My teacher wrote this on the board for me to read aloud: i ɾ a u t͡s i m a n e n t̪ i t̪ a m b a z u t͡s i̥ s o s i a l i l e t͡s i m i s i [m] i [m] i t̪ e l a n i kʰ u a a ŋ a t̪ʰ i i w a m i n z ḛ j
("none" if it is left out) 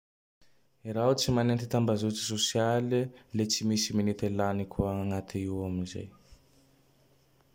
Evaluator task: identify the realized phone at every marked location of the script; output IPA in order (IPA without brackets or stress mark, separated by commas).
m, n